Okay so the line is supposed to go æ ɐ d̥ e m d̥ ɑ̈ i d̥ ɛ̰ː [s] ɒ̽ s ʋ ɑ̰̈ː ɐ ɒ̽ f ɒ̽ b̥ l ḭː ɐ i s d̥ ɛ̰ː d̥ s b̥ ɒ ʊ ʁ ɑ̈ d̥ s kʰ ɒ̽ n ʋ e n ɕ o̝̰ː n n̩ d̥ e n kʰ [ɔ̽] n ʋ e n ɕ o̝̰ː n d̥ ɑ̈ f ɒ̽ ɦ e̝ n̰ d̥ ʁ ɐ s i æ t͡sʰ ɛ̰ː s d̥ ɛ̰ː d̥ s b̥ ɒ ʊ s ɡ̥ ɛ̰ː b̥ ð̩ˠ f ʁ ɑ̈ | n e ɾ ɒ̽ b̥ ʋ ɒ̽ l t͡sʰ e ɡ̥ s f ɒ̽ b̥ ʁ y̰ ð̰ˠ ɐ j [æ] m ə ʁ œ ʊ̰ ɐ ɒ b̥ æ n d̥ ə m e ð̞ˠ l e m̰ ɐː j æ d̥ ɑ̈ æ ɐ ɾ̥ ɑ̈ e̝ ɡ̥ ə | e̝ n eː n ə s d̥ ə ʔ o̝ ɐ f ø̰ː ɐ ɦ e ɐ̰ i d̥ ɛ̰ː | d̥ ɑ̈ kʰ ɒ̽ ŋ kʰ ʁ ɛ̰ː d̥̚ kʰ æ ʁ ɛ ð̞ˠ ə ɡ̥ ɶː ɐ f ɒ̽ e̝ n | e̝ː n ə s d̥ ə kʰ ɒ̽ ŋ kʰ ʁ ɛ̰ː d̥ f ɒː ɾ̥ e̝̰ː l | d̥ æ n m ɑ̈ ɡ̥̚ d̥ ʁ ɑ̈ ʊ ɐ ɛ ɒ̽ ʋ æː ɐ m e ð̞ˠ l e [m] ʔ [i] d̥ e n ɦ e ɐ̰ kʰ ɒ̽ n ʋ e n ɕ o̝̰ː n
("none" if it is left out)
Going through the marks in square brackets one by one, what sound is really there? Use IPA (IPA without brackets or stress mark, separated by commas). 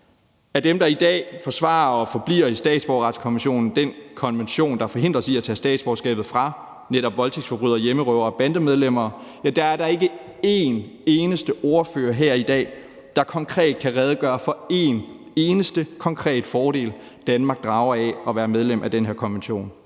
f, ɒ̽, e, m, æ